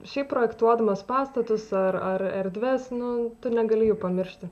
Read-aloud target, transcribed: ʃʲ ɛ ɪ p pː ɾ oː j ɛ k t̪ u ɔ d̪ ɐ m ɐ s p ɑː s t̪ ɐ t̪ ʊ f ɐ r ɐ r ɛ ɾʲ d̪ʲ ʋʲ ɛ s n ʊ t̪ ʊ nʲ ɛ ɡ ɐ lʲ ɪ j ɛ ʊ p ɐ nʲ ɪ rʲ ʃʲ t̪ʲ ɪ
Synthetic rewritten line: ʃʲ ɛ ɪ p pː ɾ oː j ɛ k t̪ u ɔ d̪ ɐ m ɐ s p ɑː s t̪ ɐ t̪ ʊ s ɐ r ɐ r ɛ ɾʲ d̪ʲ ʋʲ ɛ s n ʊ t̪ ʊ nʲ ɛ ɡ ɐ lʲ ɪ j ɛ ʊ p ɐ mʲ ɪ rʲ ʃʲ t̪ʲ ɪ

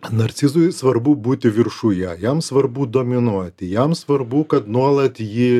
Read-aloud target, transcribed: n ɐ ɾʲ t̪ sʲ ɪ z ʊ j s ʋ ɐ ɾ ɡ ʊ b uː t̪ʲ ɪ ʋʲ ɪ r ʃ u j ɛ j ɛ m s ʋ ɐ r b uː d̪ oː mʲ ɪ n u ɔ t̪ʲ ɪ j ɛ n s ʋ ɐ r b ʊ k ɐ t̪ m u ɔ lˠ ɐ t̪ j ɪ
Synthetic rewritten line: n ɐ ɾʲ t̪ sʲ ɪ z ʊ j s ʋ ɐ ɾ b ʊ b uː t̪ʲ ɪ ʋʲ ɪ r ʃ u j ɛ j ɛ m s ʋ ɐ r b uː d̪ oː mʲ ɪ n u ɔ t̪ʲ ɪ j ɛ m s ʋ ɐ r b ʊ k ɐ t̪ n u ɔ lˠ ɐ t̪ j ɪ

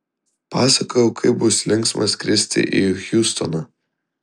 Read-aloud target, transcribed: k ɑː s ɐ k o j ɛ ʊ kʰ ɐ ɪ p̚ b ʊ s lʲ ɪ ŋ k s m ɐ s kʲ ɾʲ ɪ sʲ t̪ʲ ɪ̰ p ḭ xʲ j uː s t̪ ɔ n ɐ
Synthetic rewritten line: p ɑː s ɐ k o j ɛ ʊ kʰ ɐ ɪ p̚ b ʊ s lʲ ɪ ŋ k s m ɐ s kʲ ɾʲ ɪ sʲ t̪ʲ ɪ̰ ʔ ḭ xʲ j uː s t̪ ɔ n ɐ

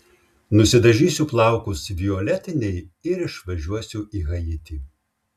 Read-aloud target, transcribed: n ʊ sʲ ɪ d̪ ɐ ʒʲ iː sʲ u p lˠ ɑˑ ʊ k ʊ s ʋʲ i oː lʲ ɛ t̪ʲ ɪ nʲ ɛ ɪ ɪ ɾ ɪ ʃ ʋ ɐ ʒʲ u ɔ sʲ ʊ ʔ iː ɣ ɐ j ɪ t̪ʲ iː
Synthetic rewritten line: n ʊ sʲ ɪ d̪ ɐ ʒʲ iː sʲ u p lˠ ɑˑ ʊ k ʊ s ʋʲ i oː lʲ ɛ t̪ʲ ɪ nʲ ɛ ɪ ɪ ɾ ɪ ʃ ʋ ɐ ʒʲ u ɔ sʲ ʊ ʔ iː ɣ ɐ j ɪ t̪ʲ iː

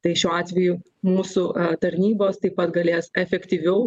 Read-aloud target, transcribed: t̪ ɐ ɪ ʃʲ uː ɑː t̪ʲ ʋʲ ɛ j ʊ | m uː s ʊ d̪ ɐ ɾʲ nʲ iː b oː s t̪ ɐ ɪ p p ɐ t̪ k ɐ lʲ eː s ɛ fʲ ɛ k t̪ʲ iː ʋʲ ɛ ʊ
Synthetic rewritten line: t̪ ɐ ɪ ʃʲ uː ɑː t̪ʲ ʋʲ ɛ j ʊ | m uː s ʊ t̪ ɐ ɾʲ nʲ iː b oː s t̪ ɐ ɪ p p ɐ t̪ ɡ ɐ lʲ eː s ɛ fʲ ɛ k t̪ʲ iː ʋʲ ɛ ʊ

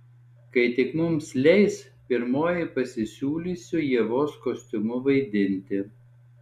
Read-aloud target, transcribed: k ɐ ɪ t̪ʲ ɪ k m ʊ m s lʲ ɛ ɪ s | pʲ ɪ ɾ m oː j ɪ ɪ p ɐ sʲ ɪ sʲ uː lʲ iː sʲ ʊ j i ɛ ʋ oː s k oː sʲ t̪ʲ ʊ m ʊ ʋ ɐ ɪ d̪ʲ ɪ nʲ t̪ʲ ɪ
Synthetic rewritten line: k ɐ ɪ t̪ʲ ɪ k m ʊ m s lʲ ɛ ɪ s | pʲ ɪ ɾ m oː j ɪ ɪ p ɐ sʲ ɪ sʲ uː lʲ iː sʲ ʊ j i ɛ ʋ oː s k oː sʲ t̪ʲ ʊ m ʊ ʋ ɐ ɪ d̪ʲ ɪ nʲ t̪ʲ ɪ

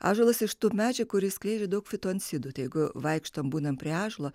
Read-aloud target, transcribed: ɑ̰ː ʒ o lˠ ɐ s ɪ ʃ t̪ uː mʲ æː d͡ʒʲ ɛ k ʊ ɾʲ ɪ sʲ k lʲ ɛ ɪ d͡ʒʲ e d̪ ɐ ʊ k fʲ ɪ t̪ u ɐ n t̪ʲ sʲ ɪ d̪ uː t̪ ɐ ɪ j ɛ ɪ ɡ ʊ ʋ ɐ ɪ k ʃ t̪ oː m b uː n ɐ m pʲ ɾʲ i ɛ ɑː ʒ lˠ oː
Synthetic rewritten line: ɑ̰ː ʒ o lˠ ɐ s ɪ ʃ t̪ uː mʲ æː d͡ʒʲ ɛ k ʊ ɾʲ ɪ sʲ k lʲ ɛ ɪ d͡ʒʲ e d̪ ɐ ʊ k fʲ ɪ t̪ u ɐ n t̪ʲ sʲ ɪ d̪ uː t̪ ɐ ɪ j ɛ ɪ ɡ ʊ ʋ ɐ ɪ k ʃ t̪ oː m b uː n ɐ m pʲ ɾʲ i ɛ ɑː ʒ lˠ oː

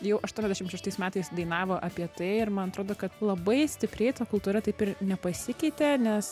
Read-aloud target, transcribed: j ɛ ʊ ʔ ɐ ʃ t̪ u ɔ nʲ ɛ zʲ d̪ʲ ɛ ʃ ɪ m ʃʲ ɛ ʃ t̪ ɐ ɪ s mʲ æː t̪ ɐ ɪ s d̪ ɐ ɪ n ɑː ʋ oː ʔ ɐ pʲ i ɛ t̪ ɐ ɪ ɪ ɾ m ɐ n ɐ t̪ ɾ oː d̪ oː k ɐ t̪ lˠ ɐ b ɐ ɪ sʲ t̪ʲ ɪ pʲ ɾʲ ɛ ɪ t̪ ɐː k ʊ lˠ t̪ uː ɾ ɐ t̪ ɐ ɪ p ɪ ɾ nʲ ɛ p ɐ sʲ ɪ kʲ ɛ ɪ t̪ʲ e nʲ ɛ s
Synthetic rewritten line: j ɛ ʊ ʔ ɐ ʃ t̪ u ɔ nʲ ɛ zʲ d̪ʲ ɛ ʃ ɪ m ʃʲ ɛ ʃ t̪ ɐ ɪ s mʲ æː t̪ ɐ ɪ s d̪ ɐ ɪ n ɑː ʋ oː ʔ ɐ pʲ i ɛ t̪ ɐ ɪ ɪ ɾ m ɐ n ɐ t̪ ɾ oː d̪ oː k ɐ t̪ lˠ ɐ b ɐ ɪ sʲ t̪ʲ ɪ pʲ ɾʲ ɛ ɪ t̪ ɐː k ʊ lˠ t̪ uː ɾ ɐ t̪ ɐ ɪ p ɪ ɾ nʲ ɛ p ɐ sʲ ɪ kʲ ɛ ɪ t̪ʲ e nʲ ɛ s

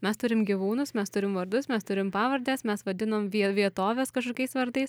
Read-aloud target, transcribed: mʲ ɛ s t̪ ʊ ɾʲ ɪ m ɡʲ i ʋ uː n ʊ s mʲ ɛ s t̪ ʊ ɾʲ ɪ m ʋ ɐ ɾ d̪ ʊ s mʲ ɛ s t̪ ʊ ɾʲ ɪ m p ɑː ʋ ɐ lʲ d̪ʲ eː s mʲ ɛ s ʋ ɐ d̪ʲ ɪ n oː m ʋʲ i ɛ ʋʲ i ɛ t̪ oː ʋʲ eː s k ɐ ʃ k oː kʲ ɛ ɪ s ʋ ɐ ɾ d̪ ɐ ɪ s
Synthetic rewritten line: mʲ ɛ s t̪ ʊ ɾʲ ɪ m ɡʲ i ʋ uː n ʊ s mʲ ɛ s t̪ ʊ ɾʲ ɪ m ʋ ɐ ɾ d̪ ʊ s mʲ ɛ s t̪ ʊ ɾʲ ɪ m p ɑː ʋ ɐ ɾʲ d̪ʲ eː s mʲ ɛ s ʋ ɐ d̪ʲ ɪ n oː m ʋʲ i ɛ ʋʲ i ɛ t̪ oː ʋʲ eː s k ɐ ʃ k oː kʲ ɛ ɪ s ʋ ɐ ɾ d̪ ɐ ɪ s

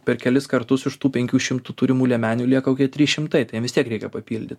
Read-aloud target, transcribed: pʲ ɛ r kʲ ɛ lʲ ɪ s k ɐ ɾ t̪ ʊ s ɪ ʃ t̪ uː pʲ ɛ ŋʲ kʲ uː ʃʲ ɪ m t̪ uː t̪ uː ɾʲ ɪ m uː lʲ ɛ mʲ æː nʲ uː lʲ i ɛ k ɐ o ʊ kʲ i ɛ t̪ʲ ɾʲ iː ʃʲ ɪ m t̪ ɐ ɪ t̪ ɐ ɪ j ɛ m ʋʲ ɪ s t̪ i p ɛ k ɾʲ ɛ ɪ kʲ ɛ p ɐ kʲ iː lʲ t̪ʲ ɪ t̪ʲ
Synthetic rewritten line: pʲ ɛ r kʲ ɛ lʲ ɪ s k ɐ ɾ t̪ ʊ s ɪ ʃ t̪ uː pʲ ɛ ŋʲ kʲ uː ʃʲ ɪ m t̪ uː t̪ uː ɾʲ ɪ m uː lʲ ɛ mʲ æː nʲ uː lʲ i ɛ k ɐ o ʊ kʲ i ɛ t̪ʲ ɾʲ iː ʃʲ ɪ m t̪ ɐ ɪ t̪ ɐ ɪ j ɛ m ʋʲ ɪ s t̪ i ɛ k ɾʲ ɛ ɪ kʲ ɛ p ɐ pʲ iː lʲ d̪ʲ ɪ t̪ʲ

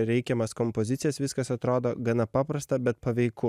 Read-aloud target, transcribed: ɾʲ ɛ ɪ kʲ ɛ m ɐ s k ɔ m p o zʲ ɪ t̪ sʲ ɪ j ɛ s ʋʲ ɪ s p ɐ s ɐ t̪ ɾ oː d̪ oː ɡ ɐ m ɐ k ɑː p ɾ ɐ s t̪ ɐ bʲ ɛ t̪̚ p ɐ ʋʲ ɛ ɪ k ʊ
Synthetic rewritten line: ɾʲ ɛ ɪ kʲ ɛ m ɐ s k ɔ m p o zʲ ɪ t̪ sʲ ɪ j ɛ s ʋʲ ɪ s k ɐ s ɐ t̪ ɾ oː d̪ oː ɡ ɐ n ɐ p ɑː p ɾ ɐ s t̪ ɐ bʲ ɛ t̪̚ p ɐ ʋʲ ɛ ɪ k ʊ

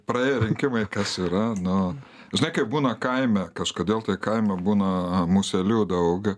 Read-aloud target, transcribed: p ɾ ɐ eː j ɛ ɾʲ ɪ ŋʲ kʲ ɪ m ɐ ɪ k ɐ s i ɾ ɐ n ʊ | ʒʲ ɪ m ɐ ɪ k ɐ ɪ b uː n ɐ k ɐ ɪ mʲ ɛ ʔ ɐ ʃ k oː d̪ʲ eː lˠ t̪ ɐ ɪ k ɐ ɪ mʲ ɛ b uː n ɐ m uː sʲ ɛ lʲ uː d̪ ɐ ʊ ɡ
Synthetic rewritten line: p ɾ ɐ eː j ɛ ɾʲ ɪ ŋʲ kʲ ɪ m ɐ ɪ k ɐ s i ɾ ɐ n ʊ | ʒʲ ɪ n ɐ ɪ k ɐ ɪ b uː n ɐ k ɐ ɪ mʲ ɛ k ɐ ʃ k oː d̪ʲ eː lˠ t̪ ɐ ɪ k ɐ ɪ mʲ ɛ b uː n ɐ m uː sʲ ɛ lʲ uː d̪ ɐ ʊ ɡ

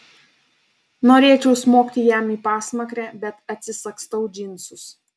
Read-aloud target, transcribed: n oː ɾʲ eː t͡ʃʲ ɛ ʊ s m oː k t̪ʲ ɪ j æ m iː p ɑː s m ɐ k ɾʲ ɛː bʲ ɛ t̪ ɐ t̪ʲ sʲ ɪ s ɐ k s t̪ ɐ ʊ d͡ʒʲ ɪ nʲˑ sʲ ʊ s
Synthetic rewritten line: n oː ɾʲ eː t͡ʃʲ ɛ ʊ s m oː k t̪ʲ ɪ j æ m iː p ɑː s m ɐ k ɾʲ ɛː bʲ ɛ t̪ ɐ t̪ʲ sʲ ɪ s ɐ k s t̪ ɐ ʊ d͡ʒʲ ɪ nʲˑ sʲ ʊ s

